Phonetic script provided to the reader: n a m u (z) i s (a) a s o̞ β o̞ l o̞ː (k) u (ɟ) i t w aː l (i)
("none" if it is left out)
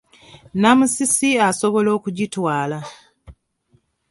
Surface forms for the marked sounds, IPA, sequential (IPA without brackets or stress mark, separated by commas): s, i, k, ɟ, a